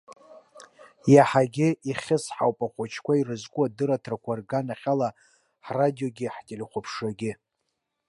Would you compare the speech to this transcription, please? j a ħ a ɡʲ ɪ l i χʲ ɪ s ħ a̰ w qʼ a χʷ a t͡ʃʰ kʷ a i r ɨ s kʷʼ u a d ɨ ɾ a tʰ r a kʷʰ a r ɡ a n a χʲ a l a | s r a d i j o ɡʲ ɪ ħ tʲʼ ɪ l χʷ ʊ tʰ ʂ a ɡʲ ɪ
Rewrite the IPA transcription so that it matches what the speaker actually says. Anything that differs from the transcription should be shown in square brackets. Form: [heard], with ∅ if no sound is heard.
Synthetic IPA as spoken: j a ħ a ɡʲ ɪ [∅] i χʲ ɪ s ħ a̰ w [pʼ] a χʷ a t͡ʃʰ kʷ a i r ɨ [z] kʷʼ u a d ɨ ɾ a tʰ r a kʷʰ a r ɡ a n a χʲ a l a | [ħ] r a d i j o ɡʲ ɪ ħ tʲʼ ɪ l χʷ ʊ [pʰ] ʂ a ɡʲ ɪ